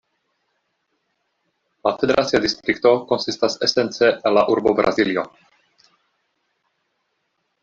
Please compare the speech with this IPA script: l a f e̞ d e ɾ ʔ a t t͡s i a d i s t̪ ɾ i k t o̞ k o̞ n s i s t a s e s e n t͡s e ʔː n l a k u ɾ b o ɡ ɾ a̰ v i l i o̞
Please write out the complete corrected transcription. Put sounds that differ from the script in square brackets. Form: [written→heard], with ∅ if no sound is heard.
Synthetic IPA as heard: l a f e̞ d e ɾ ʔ a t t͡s i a d i s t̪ ɾ i k t o̞ k o̞ n s i s t a s e s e n t͡s e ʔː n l a [k→ʔ] u ɾ b o [ɡ→b] ɾ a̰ [v→z] i l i o̞